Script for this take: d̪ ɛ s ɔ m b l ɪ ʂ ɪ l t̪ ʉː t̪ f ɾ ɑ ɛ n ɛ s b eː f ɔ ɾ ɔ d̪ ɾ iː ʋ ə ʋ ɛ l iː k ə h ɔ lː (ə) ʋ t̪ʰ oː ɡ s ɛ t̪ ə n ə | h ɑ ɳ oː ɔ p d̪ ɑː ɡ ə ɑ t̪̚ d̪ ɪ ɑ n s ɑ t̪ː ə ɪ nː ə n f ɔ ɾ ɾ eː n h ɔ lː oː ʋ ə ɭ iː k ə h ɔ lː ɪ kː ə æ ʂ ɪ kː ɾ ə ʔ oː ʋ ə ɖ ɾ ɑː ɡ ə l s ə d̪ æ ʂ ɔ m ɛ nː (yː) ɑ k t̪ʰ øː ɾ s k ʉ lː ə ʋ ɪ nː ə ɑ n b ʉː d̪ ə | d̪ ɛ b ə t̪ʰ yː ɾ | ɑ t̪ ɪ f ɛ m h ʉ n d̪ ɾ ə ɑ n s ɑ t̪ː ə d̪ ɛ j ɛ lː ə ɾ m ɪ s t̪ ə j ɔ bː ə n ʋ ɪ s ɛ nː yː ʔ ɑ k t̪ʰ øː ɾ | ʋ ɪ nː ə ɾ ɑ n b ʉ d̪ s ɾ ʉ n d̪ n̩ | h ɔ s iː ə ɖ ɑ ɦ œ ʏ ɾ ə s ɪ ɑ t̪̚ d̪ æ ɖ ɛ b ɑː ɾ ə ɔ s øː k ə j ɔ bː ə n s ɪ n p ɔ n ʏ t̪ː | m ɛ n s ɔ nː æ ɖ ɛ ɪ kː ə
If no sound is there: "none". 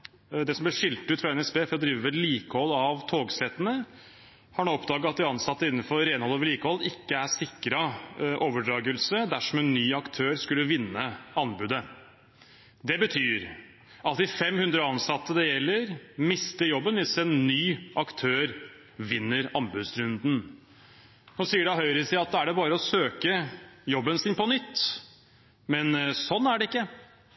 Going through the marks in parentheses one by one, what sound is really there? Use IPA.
ɑ, yː

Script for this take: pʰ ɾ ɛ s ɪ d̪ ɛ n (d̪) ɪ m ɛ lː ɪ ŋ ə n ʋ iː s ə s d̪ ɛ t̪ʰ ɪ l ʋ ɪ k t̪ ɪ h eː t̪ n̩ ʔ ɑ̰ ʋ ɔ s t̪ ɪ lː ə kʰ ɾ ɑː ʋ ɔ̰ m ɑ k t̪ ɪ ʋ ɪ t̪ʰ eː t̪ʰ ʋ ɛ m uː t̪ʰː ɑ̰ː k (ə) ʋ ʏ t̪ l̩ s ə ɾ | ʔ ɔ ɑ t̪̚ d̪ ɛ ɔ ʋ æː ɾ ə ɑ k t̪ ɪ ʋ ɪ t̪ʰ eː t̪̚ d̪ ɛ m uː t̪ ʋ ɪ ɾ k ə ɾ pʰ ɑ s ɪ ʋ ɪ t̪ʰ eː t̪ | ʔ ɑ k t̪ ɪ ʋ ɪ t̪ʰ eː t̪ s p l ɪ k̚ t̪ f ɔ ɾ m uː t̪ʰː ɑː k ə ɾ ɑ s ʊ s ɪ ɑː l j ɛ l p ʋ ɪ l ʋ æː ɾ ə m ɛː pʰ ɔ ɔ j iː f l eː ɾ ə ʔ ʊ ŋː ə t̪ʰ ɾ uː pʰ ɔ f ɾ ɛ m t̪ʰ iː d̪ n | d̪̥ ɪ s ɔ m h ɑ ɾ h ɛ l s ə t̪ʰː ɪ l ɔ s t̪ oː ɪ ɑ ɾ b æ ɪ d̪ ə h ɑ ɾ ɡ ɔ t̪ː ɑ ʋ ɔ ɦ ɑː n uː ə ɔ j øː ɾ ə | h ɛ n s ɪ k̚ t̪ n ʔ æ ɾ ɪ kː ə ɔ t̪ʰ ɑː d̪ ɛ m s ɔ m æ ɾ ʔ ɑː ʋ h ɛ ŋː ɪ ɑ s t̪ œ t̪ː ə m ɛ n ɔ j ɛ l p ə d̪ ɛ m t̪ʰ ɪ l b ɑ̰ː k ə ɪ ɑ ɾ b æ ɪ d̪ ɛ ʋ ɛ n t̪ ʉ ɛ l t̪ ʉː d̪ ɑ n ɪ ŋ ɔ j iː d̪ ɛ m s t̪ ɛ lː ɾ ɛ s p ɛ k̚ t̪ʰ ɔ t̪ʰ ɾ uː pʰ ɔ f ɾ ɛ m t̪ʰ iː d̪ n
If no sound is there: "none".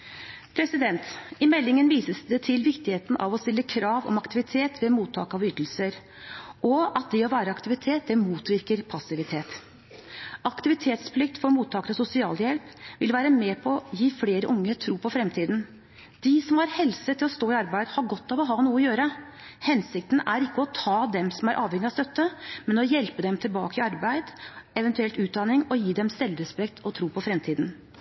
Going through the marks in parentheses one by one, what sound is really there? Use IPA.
t̪, ɑ

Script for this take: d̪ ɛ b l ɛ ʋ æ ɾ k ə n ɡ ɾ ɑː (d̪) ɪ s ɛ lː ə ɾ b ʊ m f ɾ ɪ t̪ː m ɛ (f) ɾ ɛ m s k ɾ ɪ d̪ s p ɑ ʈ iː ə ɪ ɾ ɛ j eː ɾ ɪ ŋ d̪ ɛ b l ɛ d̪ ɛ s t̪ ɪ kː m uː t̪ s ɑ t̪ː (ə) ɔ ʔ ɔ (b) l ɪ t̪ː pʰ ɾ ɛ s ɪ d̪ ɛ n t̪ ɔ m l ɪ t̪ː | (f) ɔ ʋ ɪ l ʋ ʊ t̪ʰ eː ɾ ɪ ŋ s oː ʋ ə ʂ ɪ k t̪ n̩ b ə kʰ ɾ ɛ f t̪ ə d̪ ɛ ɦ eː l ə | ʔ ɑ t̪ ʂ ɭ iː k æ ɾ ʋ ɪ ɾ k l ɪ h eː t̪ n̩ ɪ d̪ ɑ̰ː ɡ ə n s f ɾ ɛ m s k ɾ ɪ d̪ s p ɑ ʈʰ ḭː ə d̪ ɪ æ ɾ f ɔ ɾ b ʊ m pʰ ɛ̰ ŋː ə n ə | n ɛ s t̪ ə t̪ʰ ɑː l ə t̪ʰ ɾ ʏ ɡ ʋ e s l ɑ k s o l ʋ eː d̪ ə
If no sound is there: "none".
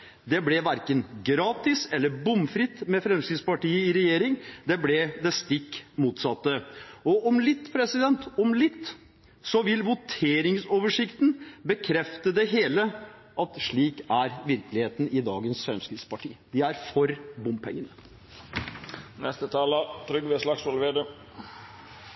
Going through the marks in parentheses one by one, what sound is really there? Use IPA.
t̪, f, ə, m, s

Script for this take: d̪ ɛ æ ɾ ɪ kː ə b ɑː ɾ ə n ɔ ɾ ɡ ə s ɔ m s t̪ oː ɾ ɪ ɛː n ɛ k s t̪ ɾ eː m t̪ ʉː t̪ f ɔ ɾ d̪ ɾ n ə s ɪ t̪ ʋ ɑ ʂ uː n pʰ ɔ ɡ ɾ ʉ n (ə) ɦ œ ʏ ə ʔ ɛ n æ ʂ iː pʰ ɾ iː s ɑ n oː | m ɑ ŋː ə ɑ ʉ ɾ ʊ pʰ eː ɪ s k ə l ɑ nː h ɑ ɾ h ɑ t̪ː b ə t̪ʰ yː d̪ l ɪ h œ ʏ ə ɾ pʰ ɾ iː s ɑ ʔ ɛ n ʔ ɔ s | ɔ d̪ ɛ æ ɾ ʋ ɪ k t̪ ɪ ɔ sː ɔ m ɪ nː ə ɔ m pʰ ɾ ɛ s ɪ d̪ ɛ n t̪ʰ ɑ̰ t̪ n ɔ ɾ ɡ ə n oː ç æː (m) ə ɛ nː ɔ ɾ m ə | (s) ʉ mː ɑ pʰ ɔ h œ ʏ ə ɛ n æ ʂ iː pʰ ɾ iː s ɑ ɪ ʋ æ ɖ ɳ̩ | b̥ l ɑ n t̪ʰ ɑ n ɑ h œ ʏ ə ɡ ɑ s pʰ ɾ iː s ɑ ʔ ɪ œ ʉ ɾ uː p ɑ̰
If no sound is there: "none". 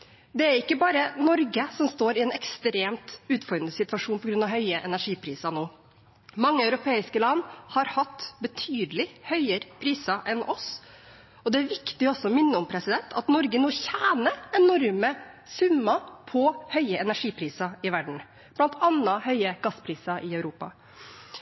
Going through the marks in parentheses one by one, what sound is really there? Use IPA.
ɑ, n, s

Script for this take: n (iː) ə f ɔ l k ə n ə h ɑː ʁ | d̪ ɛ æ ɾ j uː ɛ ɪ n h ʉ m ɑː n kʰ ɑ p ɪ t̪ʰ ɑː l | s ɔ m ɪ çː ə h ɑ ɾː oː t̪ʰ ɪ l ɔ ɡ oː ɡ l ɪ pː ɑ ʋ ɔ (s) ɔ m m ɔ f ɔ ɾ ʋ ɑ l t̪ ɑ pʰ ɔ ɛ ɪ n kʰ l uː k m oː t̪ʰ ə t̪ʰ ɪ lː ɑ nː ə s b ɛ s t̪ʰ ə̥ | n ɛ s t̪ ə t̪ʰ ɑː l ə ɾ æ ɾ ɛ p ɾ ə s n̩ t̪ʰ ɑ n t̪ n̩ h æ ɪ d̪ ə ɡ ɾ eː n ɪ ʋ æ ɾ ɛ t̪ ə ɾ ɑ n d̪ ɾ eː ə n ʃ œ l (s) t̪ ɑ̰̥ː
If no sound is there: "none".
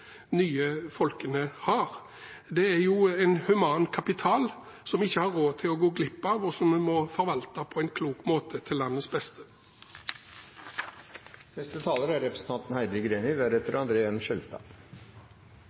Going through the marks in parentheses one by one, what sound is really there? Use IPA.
yː, s, s

